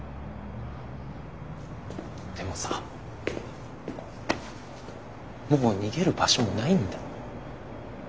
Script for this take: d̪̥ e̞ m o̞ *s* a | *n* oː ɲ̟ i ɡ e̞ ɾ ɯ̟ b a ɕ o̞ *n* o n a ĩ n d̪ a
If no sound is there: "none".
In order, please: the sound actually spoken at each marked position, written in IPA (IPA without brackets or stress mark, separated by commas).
s, m, m